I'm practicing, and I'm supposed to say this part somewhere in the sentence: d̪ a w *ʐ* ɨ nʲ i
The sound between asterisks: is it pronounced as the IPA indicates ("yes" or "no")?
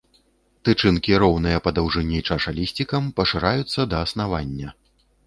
yes